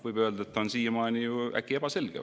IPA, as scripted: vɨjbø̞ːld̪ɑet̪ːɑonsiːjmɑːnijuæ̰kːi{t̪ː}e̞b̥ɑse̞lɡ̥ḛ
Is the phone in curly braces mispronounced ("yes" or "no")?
yes